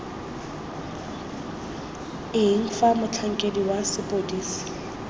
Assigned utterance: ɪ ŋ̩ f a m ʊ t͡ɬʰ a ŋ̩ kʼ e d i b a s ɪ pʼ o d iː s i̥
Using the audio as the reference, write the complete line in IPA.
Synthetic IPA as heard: ɪ ŋ̩ f a m ʊ t͡ɬʰ a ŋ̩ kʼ e d i w a s ɪ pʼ o d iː s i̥